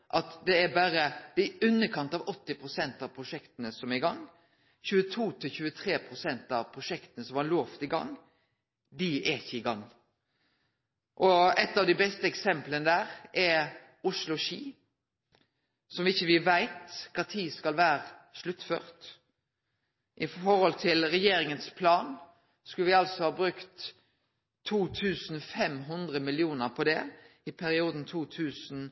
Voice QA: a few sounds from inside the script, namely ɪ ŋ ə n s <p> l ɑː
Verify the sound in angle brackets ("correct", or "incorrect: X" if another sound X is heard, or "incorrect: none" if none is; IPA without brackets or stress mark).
incorrect: pʰ